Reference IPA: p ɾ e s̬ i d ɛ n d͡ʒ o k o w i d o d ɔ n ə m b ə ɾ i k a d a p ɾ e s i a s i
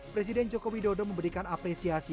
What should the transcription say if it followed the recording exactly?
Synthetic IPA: p ɾ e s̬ i d ɛ n d͡ʒ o k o w i d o d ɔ m ə m b ə ɾ i k a n a p ɾ e s i a s i